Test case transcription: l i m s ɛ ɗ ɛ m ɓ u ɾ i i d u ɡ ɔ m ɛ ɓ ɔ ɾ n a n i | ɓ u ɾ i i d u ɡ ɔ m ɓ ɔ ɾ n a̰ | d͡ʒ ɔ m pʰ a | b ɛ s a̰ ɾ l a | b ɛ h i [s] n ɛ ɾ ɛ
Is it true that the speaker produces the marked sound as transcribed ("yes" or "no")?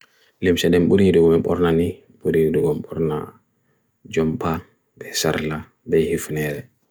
no